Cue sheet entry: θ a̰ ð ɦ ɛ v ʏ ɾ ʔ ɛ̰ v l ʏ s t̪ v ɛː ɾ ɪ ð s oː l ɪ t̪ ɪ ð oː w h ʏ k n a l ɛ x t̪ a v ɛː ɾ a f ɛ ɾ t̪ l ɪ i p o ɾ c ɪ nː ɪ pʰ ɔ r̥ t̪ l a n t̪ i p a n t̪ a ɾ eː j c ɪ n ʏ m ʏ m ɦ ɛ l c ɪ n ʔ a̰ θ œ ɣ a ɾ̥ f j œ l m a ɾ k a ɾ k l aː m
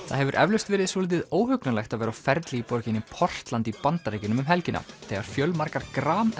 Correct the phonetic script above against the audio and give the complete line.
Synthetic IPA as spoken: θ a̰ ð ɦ ɛ v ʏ ɾ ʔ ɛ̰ v l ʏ s t̪ v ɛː ɾ ɪ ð s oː l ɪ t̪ ɪ ð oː w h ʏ k n a l ɛ x t̪ a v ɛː ɾ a f ɛ ɾ t̪ l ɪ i p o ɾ c ɪ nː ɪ pʰ ɔ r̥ t̪ l a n t̪ i p a n t̪ a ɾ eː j c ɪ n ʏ m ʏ m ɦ ɛ l c ɪ n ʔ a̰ θ ɛ ɣ a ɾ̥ f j œ l m a ɾ k a ɾ k ɾ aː m